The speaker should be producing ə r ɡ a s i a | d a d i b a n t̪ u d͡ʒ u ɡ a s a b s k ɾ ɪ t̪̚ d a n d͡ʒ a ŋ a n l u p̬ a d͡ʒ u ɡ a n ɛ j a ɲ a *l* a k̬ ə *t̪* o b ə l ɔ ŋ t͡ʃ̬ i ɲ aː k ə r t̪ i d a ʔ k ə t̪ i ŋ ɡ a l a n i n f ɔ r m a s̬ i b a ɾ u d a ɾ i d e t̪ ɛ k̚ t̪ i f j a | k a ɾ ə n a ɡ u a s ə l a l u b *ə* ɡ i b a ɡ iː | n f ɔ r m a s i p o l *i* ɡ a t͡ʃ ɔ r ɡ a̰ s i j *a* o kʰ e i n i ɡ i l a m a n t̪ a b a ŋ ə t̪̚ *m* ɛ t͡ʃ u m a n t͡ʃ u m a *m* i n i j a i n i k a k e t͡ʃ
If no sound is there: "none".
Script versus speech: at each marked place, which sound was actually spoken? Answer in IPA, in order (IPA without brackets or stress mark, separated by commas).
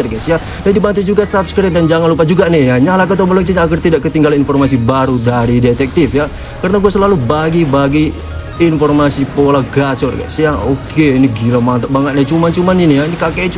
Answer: l, t̪, a, a, a, n, n